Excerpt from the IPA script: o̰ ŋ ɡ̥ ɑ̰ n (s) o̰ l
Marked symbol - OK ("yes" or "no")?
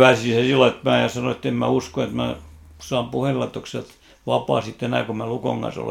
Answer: yes